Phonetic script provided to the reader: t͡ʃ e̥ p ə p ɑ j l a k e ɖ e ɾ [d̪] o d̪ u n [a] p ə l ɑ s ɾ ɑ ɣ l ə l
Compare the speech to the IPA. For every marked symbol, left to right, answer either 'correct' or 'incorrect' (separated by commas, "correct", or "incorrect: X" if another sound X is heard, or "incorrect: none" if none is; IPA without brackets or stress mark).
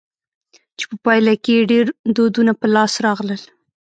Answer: correct, correct